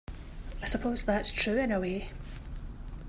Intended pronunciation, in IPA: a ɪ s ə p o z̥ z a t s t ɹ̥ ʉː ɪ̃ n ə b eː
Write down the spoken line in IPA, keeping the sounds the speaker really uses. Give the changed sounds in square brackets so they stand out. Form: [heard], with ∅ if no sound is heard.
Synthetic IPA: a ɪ s ə [pʰ] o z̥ [ð] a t s [tʰ] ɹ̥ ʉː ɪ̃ n ə [w] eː